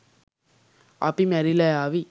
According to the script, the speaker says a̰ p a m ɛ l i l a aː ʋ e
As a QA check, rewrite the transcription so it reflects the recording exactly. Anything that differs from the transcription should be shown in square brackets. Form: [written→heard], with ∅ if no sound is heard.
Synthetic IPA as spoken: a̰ p [a→i] m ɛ [l→ɾ] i l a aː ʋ [e→i]